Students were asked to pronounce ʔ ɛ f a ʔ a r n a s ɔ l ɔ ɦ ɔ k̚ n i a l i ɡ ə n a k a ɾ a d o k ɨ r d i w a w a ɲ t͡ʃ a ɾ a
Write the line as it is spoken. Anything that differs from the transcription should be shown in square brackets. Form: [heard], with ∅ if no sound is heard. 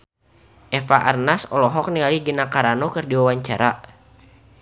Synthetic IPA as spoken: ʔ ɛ f a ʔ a r n a s ɔ l ɔ ɦ ɔ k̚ n i a l i ɡ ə n a k a ɾ a [n] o k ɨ r d i w a w a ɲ t͡ʃ a ɾ a